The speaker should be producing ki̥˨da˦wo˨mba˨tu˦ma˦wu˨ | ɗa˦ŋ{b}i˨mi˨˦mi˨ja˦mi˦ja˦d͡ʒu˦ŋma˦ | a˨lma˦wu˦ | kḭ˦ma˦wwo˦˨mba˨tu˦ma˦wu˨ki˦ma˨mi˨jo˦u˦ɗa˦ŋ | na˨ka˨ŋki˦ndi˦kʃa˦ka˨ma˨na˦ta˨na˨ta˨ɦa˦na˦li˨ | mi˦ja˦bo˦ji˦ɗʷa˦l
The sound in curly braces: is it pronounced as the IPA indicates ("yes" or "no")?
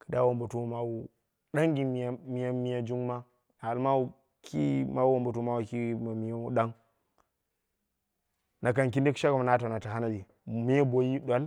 no